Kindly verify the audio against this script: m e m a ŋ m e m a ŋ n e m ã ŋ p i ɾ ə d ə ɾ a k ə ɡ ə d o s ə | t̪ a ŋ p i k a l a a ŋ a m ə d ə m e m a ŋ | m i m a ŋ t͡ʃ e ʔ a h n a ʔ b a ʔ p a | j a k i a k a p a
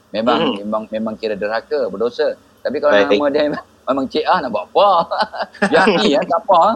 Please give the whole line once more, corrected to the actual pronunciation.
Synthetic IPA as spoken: m e m a ŋ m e m a ŋ m e m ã ŋ k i ɾ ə d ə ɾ a k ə b ə d o s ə | t̪ a p i k a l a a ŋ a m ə d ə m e m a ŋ | m e m a ŋ t͡ʃ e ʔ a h n a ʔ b a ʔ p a | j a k i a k a p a